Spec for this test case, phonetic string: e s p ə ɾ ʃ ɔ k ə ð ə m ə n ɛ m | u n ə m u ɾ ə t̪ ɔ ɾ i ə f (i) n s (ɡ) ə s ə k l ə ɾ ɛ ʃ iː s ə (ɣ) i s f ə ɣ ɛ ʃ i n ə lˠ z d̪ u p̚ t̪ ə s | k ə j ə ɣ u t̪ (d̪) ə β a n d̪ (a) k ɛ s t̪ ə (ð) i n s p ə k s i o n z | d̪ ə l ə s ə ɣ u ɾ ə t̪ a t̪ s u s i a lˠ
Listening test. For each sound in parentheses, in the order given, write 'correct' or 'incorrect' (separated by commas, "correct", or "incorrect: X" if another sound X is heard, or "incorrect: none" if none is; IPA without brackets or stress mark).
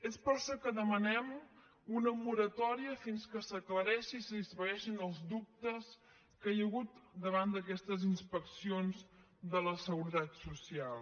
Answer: correct, incorrect: k, incorrect: ð, correct, incorrect: ə, incorrect: z